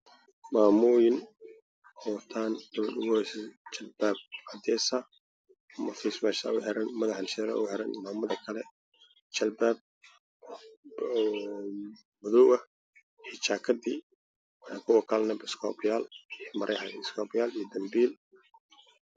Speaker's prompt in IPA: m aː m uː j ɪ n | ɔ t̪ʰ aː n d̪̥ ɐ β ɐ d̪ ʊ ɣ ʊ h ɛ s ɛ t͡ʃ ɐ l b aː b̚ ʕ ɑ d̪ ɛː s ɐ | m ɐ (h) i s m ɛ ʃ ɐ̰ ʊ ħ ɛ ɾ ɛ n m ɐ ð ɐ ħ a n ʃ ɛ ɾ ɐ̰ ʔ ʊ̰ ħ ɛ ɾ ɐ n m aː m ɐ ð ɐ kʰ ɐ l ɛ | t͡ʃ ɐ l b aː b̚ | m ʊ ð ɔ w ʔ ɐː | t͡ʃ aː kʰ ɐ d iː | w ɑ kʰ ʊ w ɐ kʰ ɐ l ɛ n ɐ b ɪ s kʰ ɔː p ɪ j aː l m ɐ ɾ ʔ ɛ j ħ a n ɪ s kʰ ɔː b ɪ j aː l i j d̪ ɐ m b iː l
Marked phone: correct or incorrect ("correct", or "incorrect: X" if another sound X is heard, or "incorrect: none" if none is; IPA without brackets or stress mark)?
incorrect: f